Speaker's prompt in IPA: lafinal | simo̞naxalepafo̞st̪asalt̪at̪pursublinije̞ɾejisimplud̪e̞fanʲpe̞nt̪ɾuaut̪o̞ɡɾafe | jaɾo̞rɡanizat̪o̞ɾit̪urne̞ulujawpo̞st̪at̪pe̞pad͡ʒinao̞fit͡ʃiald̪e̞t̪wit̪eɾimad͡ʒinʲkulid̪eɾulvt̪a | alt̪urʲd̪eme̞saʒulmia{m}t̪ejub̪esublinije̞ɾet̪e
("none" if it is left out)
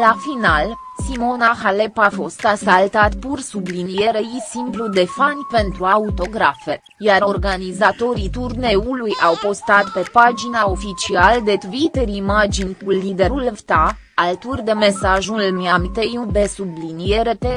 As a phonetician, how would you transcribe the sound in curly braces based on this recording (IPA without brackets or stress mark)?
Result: m